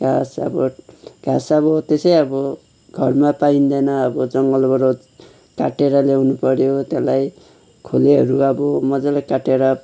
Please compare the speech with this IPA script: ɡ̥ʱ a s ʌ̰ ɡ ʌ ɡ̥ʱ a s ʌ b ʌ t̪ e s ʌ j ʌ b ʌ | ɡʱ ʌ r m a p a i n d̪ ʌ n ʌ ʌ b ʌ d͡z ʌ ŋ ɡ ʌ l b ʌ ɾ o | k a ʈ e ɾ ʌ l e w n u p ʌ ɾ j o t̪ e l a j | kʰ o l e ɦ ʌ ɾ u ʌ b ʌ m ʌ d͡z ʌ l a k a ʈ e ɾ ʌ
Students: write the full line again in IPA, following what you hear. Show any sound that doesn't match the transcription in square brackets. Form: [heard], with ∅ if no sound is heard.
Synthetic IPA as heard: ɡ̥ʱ a s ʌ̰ [b] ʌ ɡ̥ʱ a s ʌ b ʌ t̪ e s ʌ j ʌ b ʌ | ɡʱ ʌ r m a p a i n d̪ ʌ n ʌ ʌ b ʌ d͡z ʌ ŋ ɡ ʌ l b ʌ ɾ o | k a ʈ e ɾ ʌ l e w n u p ʌ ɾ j o t̪ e l a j | kʰ o l e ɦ ʌ ɾ u ʌ b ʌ m ʌ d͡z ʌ l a k a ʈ e ɾ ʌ